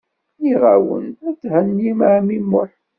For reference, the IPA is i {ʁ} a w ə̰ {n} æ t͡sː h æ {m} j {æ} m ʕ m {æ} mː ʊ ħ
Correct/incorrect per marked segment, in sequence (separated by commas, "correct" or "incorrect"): correct, correct, incorrect, incorrect, incorrect